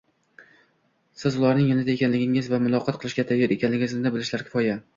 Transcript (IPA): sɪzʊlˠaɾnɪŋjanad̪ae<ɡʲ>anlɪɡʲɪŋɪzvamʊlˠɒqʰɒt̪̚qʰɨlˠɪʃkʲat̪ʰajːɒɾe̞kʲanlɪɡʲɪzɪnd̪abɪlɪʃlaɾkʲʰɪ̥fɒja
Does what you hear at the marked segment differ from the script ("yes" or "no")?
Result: yes